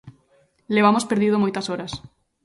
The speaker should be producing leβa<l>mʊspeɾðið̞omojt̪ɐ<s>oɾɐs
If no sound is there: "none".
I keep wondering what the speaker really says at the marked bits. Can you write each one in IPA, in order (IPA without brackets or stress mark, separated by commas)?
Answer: none, s